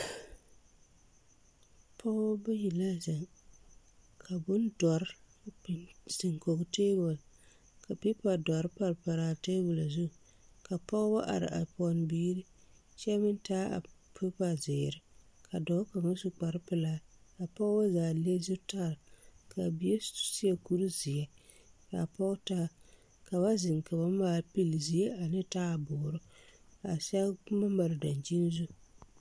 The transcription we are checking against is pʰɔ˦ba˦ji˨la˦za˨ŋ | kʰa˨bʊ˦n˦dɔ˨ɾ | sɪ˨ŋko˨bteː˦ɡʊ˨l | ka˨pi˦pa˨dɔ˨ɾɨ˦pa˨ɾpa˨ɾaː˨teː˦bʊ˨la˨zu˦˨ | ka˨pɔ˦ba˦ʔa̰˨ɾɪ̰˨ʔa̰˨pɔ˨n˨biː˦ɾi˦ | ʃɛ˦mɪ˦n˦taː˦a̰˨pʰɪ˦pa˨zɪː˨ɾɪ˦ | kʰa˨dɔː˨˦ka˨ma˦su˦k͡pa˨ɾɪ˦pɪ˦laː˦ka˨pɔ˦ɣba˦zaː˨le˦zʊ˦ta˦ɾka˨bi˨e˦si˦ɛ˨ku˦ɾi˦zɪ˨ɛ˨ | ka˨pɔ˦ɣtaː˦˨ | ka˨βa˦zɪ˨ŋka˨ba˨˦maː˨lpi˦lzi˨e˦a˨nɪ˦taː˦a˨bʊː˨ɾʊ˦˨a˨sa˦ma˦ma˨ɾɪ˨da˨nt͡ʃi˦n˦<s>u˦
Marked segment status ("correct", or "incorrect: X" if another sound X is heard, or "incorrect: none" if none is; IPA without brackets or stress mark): incorrect: z